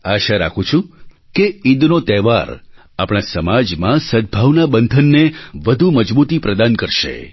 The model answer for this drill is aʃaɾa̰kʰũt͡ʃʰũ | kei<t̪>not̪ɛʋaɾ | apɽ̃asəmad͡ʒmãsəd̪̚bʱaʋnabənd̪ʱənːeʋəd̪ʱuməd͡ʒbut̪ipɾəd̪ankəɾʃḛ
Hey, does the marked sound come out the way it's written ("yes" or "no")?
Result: no